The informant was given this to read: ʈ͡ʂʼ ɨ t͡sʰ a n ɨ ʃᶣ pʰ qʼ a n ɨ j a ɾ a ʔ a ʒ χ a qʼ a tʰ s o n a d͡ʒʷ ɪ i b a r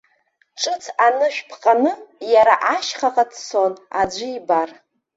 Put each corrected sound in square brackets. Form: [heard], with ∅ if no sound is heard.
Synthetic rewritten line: ʈ͡ʂʼ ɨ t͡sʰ a n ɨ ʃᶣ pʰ qʼ a n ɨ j a ɾ a ʔ a [ʃ] χ a qʼ a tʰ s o n a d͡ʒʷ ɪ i b a r